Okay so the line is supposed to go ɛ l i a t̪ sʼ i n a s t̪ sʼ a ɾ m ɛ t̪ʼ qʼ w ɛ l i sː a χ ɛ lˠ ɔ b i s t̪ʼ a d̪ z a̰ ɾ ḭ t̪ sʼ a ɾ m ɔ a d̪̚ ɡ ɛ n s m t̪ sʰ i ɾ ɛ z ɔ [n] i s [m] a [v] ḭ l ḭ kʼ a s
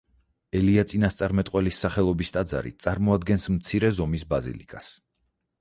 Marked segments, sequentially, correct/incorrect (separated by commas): incorrect, incorrect, incorrect